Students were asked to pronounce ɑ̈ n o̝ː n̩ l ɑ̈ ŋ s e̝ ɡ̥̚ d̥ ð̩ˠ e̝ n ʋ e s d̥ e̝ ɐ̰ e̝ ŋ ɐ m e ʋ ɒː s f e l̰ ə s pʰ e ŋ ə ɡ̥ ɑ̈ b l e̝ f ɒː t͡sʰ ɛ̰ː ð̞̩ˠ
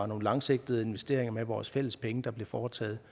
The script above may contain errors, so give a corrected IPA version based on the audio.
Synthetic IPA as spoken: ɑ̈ n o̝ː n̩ l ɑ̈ ŋ s e̝ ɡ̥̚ d̥ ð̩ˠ e̝ n ʋ e s d̥ e̝ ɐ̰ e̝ ŋ ɐ m e ʋ ɒː s f e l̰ ə s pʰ e ŋ ə d̥ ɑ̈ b l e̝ f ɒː t͡sʰ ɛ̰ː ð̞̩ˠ